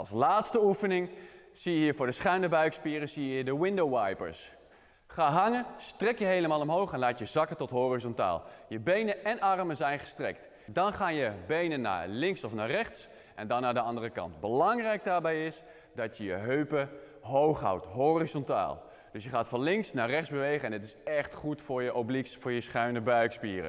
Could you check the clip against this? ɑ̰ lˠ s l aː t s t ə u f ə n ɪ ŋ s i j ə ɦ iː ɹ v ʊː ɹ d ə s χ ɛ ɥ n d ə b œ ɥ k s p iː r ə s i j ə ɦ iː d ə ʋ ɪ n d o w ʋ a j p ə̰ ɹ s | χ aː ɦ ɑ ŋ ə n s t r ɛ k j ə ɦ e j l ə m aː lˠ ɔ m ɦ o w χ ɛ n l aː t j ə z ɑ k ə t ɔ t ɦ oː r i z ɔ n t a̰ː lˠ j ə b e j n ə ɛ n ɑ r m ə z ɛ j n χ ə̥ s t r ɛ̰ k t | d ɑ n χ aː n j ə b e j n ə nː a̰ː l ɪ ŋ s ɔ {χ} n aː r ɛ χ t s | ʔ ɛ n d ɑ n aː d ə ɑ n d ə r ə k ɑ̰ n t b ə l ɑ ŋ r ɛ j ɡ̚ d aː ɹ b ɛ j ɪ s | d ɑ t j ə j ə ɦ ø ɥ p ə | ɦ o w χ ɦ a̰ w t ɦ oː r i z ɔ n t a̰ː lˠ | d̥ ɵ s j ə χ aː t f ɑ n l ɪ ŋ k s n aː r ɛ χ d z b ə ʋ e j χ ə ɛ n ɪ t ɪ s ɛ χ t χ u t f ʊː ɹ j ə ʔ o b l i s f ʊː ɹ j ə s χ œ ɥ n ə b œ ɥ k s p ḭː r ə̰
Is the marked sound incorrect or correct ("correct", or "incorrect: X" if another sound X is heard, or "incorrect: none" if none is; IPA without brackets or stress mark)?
incorrect: f